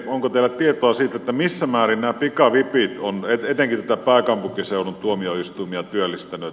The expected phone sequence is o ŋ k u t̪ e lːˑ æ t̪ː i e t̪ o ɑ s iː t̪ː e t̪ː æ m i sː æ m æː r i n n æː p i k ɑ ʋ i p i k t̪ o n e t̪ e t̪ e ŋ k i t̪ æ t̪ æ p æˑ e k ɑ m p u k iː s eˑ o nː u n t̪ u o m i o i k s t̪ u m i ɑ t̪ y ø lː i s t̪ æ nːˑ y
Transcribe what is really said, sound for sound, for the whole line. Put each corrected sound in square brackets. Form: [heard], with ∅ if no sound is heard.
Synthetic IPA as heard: o ŋ k [o] t̪ e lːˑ æ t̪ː i e t̪ o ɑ s iː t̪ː e t̪ː æ m i sː æ m æː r i n n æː p i k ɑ ʋ i p i [∅] t̪ o n e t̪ e t̪ e ŋ k i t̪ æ t̪ æ p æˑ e k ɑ m p u k [i] s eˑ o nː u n t̪ u o m i o i [∅] s t̪ u m i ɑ t̪ y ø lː i s t̪ æ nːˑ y